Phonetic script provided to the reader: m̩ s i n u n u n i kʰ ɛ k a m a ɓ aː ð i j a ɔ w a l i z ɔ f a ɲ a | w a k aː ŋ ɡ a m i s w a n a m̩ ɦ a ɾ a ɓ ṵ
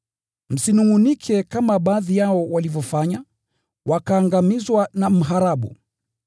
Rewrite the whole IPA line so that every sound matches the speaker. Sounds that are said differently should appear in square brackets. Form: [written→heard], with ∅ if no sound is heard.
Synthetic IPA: m̩ s i n u [n→ŋ] u n i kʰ ɛ k a m a ɓ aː ð i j a ɔ w a l i [z→v] ɔ f a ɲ a | w a k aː ŋ ɡ a m i [s→z] w a n a m̩ ɦ a ɾ a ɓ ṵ